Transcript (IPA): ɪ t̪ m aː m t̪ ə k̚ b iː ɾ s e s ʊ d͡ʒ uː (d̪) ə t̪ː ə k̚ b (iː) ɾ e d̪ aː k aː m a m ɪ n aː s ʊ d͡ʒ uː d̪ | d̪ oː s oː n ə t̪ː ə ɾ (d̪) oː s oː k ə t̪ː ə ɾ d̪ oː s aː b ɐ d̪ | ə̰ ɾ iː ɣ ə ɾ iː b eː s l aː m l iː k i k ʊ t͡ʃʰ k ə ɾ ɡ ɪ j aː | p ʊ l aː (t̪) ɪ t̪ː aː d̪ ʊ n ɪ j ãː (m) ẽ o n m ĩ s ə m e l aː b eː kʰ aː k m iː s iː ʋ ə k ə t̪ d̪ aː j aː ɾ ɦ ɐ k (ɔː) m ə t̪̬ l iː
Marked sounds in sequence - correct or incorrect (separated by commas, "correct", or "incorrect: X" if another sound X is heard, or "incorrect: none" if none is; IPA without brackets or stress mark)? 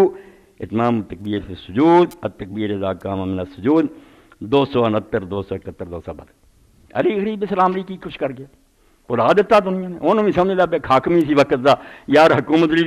correct, correct, correct, incorrect: d̪, incorrect: n, incorrect: uː